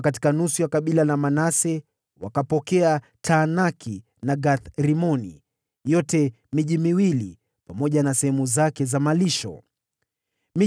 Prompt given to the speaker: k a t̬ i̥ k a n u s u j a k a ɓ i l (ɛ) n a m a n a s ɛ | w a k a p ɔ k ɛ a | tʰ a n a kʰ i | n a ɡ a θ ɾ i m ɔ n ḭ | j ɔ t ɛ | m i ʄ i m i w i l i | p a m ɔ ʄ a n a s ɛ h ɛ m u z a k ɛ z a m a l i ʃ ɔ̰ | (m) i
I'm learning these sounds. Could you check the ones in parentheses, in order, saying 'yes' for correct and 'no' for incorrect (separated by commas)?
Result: no, yes